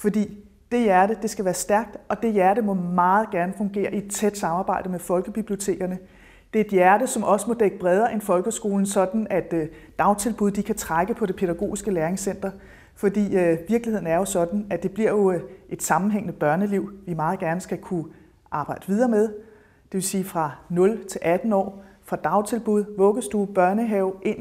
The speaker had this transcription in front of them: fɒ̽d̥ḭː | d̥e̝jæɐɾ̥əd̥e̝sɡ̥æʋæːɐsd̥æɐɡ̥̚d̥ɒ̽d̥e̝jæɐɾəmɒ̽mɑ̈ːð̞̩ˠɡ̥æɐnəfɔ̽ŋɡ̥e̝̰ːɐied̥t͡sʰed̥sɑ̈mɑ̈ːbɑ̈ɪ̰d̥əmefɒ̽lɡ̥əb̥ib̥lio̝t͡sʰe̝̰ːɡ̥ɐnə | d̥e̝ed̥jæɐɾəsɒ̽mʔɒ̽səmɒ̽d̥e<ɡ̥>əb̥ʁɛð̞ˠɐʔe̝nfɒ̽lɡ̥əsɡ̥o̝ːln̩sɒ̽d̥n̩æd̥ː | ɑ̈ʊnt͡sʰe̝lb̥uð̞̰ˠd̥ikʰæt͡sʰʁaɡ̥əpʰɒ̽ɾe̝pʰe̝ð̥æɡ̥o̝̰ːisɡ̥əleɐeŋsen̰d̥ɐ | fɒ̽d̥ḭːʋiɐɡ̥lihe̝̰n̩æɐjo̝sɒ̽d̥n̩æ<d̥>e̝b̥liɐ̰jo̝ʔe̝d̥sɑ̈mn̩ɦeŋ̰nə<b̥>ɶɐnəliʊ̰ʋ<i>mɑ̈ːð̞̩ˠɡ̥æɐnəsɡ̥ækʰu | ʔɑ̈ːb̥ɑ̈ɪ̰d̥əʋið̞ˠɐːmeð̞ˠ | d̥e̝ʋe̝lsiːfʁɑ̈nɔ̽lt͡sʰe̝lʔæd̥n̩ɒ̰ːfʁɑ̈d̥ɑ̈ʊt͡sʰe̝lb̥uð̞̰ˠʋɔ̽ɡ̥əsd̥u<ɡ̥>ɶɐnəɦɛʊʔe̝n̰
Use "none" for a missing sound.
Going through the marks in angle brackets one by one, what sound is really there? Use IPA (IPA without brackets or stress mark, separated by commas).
ɡ̥, d̥, b̥, i, b̥